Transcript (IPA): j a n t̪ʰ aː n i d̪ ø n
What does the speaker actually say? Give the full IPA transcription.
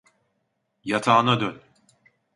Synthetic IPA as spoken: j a t̪ʰ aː n a d̪ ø n